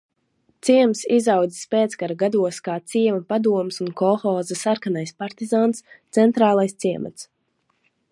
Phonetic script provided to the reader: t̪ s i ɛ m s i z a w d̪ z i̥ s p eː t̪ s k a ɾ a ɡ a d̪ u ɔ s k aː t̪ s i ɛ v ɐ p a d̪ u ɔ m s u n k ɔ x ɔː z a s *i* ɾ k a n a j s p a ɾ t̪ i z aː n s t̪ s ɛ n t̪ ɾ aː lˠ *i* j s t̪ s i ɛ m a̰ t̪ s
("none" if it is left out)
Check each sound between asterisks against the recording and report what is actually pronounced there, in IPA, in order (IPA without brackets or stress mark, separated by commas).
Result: a, a